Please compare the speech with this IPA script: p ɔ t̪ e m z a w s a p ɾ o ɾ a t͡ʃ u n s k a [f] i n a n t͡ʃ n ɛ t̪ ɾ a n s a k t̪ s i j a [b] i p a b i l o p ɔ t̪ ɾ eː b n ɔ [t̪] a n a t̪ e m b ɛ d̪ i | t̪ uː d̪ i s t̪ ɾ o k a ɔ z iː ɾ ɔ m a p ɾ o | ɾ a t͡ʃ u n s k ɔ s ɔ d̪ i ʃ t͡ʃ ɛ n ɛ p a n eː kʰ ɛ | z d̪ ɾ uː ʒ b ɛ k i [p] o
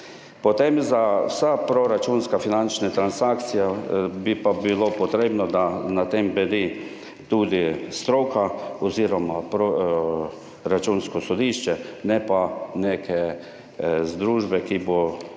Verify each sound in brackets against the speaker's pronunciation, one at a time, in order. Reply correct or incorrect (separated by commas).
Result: correct, correct, incorrect, incorrect